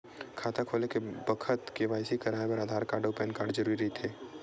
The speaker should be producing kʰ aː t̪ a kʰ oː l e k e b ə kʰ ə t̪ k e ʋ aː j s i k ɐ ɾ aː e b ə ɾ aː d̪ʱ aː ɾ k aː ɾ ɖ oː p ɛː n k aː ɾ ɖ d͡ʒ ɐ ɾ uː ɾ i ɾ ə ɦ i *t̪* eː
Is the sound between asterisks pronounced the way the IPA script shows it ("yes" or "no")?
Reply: no